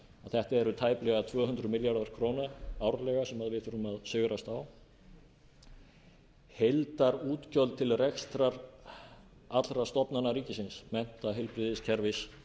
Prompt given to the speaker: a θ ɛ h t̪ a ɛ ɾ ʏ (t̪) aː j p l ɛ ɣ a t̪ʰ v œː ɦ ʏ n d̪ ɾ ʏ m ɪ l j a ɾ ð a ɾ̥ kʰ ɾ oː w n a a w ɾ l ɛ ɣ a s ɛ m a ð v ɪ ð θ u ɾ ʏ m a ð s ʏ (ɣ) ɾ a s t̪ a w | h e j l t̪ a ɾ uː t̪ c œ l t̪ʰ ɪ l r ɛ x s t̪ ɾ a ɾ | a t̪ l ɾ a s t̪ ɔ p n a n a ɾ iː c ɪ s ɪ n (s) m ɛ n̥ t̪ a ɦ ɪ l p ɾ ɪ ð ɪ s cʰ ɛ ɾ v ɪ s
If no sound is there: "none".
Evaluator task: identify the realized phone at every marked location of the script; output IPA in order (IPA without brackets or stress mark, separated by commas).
t̪ʰ, ɣ, s